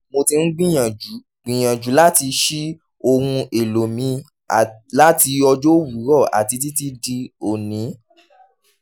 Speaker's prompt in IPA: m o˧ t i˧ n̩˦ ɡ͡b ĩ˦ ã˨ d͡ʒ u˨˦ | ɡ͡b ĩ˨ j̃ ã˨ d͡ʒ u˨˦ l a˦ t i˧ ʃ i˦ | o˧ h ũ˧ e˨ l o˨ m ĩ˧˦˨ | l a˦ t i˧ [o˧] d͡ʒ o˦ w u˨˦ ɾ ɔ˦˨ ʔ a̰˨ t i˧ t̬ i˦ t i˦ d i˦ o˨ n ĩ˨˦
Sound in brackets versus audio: incorrect: ɔ˧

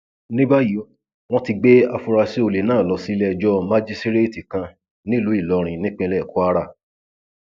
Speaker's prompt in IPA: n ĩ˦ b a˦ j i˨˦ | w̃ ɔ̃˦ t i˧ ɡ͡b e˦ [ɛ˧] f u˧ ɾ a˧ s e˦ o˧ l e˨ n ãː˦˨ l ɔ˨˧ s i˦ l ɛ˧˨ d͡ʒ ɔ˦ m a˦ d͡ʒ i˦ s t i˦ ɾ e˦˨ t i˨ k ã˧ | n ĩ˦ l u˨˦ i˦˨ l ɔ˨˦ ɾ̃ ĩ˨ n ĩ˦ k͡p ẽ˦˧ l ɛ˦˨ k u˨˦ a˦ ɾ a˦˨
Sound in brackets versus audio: incorrect: a˧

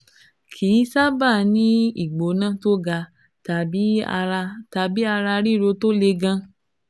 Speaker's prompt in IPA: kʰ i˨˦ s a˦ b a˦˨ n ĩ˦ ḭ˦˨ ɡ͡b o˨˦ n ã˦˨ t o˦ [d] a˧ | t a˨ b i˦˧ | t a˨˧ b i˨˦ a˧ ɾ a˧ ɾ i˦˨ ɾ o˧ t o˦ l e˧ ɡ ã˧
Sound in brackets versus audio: incorrect: ɡ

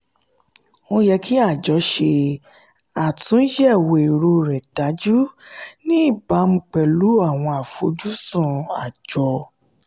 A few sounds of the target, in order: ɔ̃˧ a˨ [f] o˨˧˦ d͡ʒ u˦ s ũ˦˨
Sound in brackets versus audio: correct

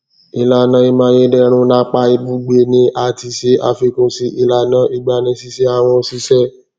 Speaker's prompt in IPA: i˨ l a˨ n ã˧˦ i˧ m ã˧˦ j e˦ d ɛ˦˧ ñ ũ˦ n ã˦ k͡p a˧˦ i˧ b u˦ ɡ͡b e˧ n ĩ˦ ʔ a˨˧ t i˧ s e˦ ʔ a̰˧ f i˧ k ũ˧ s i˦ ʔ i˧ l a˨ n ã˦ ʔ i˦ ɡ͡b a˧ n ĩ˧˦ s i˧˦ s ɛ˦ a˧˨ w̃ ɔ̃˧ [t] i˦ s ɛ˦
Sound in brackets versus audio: incorrect: s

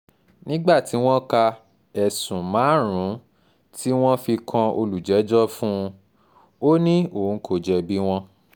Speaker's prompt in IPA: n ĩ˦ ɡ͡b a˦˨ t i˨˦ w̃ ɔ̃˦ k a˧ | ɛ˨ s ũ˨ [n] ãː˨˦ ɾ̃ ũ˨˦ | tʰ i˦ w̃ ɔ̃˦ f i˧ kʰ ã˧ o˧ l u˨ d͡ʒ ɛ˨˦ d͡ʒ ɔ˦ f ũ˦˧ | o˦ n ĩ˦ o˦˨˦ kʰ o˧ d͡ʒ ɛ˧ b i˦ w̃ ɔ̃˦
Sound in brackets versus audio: incorrect: m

